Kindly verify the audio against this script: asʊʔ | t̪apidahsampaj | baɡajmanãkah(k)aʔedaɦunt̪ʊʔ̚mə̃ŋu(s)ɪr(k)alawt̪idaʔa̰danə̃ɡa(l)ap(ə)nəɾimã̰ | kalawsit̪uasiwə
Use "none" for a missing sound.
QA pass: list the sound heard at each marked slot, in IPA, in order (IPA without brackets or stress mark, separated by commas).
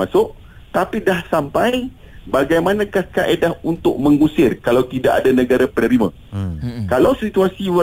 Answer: k, s, k, ɾ, ə